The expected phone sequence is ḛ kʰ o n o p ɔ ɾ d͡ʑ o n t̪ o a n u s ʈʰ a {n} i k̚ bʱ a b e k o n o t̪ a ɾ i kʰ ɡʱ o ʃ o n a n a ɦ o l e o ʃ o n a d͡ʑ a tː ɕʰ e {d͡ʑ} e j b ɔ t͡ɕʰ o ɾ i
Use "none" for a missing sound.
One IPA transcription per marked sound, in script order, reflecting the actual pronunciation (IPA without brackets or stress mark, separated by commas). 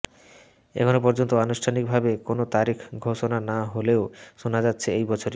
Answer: n, none